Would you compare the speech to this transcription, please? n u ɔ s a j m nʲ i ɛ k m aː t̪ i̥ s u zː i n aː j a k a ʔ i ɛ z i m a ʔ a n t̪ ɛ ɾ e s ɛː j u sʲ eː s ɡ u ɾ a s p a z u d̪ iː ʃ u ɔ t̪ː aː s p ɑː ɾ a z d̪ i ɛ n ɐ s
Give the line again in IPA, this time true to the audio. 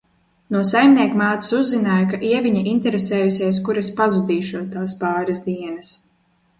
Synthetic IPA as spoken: n u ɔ s a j m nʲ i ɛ k m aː t̪ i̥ s u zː i n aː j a k a ʔ i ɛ v i ɲ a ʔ i n t̪ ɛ ɾ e s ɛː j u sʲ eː s k u ɾ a s p a z u d̪ iː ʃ u ɔ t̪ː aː s p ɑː ɾ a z d̪ i ɛ n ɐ s